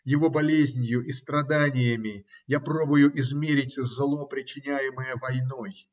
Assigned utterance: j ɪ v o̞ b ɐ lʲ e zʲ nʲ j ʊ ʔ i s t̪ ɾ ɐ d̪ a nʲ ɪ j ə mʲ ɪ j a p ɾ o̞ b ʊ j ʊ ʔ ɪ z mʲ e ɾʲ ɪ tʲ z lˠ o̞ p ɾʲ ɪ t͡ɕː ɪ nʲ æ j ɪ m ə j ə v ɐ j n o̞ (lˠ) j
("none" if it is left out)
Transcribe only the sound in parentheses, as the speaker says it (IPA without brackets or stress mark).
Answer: none